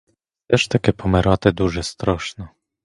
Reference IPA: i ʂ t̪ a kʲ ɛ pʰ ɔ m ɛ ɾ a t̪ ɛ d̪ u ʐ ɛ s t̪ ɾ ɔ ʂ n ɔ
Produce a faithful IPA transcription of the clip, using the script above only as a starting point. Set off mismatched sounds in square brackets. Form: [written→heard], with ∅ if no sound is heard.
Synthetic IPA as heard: [i→ɛ] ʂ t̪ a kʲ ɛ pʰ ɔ m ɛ ɾ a t̪ ɛ d̪ u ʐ ɛ s t̪ ɾ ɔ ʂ n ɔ